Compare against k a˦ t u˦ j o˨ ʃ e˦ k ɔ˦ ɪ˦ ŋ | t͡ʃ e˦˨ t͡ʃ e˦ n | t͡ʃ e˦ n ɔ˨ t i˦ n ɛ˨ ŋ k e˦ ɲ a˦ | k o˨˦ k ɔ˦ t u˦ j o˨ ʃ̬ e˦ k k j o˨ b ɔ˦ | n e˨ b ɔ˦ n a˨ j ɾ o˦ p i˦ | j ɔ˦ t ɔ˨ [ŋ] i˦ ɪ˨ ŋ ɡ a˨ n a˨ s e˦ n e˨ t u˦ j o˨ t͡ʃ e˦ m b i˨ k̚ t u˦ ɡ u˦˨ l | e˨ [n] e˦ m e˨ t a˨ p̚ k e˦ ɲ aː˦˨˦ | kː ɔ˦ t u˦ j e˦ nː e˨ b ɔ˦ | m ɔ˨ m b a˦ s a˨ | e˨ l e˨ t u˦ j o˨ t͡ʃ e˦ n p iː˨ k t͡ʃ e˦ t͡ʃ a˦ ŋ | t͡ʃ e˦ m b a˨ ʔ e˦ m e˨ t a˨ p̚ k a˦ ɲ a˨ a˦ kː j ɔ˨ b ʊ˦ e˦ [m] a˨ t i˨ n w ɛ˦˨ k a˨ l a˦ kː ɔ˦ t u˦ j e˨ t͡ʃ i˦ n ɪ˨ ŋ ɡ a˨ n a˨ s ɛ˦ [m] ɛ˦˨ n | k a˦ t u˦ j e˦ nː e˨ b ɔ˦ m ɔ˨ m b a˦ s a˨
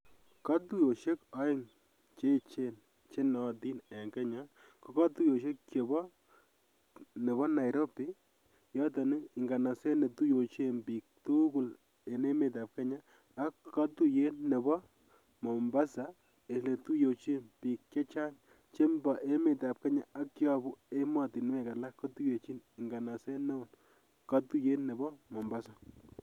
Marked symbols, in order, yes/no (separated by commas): no, yes, yes, no